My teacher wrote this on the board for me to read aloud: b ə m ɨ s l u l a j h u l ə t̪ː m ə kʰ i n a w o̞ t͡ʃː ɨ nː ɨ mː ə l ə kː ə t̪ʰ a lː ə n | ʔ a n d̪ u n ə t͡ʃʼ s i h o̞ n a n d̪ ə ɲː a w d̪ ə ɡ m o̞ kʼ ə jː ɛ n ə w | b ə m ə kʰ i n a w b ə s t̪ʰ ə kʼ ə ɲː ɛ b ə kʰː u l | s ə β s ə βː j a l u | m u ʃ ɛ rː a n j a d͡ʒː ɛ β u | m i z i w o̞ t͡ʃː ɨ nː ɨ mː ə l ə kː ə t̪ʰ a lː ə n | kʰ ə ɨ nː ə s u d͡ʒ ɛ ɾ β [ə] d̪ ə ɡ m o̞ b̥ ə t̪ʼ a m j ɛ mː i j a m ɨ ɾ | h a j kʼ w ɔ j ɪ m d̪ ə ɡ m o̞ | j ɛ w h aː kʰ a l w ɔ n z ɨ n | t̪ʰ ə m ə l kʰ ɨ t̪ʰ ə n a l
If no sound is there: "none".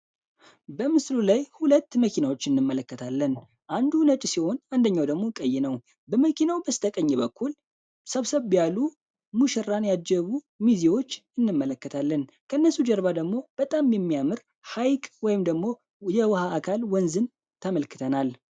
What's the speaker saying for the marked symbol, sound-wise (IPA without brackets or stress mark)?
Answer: a